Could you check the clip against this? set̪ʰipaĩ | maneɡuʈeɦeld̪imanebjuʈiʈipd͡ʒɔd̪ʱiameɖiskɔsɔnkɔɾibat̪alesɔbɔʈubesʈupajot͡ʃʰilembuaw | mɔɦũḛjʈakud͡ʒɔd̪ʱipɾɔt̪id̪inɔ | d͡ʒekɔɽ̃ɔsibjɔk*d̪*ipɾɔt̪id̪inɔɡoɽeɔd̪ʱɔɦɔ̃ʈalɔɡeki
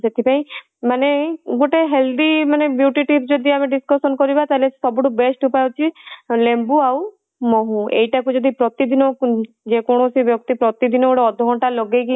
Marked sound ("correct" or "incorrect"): incorrect